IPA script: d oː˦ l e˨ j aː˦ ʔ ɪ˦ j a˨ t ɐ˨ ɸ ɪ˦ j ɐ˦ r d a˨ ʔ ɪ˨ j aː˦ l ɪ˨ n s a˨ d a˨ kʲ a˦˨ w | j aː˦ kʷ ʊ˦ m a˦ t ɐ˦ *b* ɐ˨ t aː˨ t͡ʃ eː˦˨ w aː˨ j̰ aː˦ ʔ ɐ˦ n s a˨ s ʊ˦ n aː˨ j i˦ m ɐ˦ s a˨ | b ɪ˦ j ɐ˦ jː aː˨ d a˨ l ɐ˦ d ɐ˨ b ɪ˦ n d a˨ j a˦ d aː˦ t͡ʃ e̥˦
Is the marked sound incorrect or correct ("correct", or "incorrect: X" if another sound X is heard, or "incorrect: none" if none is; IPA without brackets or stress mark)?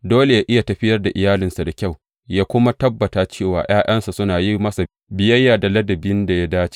incorrect: bː